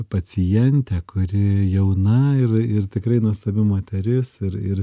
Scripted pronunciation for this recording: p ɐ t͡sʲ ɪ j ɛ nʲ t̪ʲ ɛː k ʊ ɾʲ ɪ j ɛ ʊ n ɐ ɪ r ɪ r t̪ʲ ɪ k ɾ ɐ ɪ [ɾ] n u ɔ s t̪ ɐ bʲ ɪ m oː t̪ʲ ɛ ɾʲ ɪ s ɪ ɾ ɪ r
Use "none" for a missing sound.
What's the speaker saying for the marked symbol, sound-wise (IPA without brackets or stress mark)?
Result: none